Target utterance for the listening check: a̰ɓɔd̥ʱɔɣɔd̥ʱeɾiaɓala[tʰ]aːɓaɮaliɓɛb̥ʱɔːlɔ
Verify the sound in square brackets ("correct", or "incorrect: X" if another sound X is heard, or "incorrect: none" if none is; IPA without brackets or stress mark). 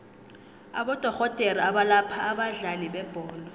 incorrect: pʰ